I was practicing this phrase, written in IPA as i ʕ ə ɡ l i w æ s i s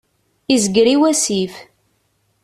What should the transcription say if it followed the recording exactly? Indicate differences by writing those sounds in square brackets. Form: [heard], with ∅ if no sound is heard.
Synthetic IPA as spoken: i [z] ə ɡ [ɾ] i w æ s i [f]